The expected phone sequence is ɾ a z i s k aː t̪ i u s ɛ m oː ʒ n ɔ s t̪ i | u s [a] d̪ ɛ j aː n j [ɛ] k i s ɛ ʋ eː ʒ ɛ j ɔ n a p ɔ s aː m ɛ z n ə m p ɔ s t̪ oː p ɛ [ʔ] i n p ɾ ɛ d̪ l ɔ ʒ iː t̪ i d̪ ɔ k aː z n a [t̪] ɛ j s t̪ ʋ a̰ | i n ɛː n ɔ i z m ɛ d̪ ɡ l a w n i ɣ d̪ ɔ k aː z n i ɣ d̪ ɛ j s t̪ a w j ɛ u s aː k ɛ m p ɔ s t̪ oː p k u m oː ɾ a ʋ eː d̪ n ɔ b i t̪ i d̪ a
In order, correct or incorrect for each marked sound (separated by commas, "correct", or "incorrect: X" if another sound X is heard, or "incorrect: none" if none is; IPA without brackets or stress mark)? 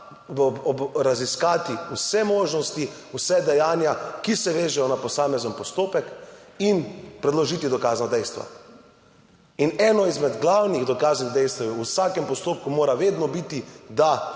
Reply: incorrect: ɛ, incorrect: a, incorrect: k, incorrect: d̪